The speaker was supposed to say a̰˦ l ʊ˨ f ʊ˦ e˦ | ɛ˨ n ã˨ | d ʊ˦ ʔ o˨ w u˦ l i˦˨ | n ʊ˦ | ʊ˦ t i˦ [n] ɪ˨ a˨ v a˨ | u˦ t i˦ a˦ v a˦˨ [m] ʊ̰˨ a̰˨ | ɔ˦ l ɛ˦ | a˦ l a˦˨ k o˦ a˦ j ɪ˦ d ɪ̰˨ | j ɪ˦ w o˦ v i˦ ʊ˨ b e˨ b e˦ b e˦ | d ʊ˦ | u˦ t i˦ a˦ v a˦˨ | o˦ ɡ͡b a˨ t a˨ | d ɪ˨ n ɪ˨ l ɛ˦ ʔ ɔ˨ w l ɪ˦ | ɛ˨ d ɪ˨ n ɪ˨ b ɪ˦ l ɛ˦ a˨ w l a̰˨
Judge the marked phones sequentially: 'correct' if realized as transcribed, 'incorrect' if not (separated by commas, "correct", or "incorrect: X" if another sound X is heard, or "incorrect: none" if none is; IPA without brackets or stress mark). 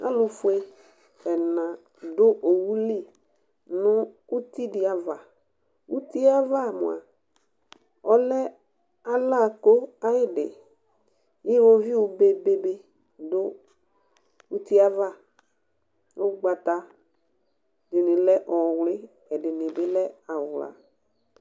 incorrect: d, correct